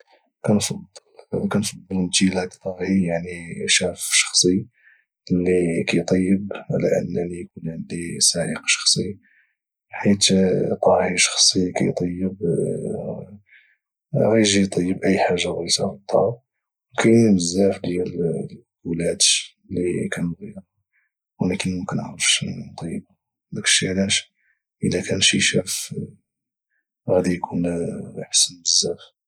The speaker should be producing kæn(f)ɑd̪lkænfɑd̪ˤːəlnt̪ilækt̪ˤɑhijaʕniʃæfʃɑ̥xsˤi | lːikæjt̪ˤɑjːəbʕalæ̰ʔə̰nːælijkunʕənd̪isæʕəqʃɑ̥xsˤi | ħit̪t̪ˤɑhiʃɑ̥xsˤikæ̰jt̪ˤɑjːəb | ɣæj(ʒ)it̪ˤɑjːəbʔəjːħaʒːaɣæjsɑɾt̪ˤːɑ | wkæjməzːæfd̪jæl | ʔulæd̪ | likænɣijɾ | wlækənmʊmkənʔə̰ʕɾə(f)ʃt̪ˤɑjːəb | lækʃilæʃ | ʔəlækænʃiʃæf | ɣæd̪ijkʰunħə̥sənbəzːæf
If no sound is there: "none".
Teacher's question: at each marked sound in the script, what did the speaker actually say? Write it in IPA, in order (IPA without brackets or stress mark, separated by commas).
f, ʒ, f